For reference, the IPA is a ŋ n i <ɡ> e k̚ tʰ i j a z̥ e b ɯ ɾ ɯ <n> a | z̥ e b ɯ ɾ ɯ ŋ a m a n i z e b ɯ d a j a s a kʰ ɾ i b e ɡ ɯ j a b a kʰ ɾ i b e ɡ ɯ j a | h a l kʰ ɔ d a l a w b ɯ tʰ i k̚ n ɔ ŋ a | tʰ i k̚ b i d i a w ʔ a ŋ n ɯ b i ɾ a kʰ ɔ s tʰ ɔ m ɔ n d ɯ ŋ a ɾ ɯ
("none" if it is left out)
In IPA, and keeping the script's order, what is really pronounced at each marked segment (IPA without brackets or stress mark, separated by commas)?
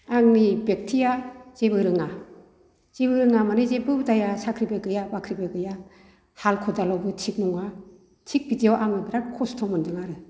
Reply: b, ŋ